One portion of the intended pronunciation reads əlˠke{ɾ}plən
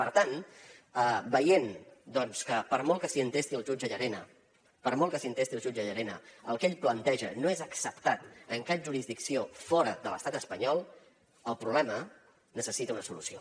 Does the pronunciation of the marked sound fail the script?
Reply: yes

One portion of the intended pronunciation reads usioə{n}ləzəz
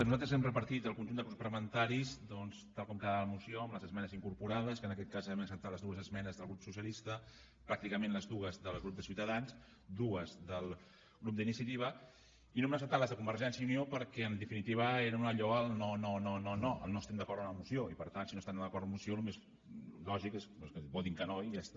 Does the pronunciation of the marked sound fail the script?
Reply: yes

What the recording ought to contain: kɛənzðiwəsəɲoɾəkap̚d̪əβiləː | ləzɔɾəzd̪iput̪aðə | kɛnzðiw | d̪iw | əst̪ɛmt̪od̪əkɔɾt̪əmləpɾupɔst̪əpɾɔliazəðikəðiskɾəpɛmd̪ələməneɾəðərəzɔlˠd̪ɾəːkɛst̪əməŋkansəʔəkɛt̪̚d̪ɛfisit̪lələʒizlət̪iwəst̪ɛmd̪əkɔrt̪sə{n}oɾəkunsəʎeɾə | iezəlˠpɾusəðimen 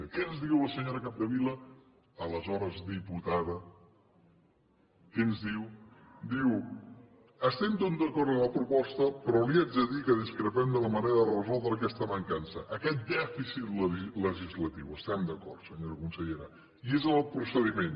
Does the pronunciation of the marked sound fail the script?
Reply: yes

